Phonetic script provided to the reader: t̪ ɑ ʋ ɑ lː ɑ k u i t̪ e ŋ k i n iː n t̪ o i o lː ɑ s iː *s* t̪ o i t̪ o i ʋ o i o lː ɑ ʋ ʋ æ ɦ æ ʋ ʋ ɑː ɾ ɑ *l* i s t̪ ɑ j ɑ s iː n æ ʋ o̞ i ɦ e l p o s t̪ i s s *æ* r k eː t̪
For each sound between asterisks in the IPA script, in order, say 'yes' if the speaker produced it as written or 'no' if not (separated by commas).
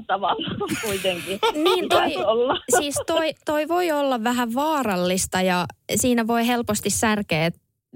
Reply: yes, no, yes